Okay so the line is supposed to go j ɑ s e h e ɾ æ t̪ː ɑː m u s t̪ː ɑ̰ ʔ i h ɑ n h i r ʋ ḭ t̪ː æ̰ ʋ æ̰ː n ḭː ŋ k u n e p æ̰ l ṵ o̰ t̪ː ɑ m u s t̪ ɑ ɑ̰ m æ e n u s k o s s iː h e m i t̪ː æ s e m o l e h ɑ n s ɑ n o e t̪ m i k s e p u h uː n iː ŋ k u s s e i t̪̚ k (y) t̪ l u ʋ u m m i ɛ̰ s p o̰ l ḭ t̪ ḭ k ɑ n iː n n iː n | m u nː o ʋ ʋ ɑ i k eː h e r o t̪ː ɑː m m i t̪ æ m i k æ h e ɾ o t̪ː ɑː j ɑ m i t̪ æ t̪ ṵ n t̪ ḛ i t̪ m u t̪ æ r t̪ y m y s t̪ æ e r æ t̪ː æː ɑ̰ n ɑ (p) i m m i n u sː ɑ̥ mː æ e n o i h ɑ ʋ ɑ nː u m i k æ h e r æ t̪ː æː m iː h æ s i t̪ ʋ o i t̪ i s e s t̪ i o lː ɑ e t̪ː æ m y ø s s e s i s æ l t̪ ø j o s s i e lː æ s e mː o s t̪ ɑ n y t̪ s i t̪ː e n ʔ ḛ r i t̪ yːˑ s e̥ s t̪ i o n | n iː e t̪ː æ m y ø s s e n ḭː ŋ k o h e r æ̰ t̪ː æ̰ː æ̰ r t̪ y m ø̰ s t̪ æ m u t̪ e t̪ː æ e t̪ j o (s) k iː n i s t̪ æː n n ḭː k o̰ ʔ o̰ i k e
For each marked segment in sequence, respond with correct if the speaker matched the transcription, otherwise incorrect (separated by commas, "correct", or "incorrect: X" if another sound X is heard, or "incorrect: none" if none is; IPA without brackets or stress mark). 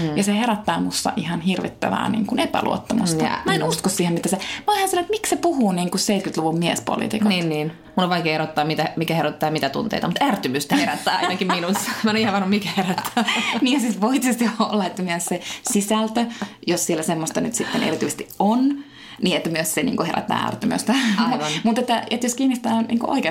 correct, incorrect: k, correct